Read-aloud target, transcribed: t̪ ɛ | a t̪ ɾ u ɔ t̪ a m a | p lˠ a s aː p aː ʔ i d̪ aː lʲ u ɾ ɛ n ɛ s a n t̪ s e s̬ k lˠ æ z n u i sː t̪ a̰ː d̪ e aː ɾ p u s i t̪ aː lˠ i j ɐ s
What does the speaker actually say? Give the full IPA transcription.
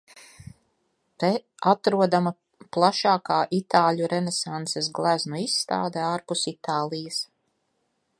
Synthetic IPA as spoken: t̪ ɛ | a t̪ ɾ u ɔ d̪ a m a | p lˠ a ʃ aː k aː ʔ i t̪ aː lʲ u ɾ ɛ n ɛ s a n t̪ s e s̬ ɡ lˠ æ z n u i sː t̪ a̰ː d̪ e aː ɾ p u s i t̪ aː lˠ i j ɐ s